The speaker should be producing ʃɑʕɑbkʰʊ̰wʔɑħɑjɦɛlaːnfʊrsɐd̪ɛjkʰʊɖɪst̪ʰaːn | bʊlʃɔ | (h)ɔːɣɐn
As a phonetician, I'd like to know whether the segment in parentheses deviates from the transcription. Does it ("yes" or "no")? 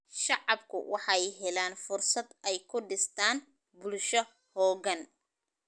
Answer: no